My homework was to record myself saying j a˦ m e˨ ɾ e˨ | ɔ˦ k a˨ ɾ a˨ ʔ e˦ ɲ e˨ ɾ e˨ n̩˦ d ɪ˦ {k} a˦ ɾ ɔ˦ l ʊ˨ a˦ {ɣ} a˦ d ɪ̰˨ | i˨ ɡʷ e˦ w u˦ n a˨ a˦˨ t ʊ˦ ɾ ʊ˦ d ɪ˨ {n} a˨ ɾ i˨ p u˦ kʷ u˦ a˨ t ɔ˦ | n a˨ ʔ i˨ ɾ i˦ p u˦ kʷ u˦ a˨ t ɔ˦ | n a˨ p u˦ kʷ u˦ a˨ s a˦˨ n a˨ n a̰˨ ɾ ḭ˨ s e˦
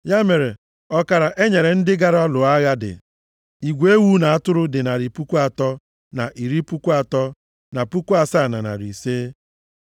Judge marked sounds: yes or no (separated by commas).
no, yes, yes